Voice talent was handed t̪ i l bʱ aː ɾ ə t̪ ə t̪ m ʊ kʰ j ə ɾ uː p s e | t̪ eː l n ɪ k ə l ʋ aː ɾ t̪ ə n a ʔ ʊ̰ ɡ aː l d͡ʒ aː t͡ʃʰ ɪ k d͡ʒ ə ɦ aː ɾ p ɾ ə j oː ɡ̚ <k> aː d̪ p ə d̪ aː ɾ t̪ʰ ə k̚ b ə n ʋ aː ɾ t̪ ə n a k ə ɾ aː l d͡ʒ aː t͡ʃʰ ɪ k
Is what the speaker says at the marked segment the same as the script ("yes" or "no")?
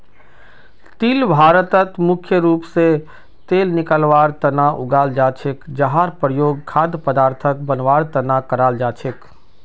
no